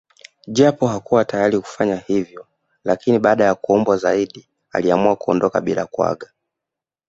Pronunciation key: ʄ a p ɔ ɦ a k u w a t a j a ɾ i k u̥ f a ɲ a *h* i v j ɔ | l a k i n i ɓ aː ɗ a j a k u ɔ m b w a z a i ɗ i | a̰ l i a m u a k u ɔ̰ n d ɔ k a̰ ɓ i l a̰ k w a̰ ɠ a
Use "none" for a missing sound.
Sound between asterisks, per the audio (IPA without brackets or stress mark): h